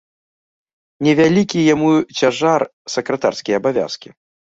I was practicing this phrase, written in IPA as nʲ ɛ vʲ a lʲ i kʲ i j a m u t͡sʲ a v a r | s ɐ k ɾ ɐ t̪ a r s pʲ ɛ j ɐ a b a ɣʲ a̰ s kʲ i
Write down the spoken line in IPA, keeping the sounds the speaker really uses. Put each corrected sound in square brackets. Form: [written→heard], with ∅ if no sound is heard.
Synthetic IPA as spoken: nʲ ɛ vʲ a lʲ i kʲ i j a m u t͡sʲ a [v→ʐ] a r | s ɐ k ɾ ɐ t̪ a r s [pʲ→kʲ] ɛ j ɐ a b a [ɣʲ→vʲ] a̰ s kʲ i